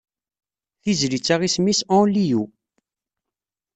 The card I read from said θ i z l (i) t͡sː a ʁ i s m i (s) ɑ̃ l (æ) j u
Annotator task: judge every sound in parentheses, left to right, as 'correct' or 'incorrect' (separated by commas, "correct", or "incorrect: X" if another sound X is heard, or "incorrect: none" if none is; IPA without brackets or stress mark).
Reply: correct, correct, incorrect: i